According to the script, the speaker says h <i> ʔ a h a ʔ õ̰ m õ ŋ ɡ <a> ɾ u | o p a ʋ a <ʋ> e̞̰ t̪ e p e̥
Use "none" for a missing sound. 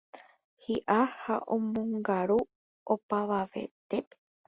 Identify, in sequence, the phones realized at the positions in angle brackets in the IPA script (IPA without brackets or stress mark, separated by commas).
i, a, ʋ